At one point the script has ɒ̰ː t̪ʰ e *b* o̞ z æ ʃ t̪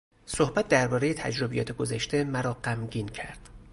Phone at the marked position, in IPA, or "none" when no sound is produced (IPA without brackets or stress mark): ɡ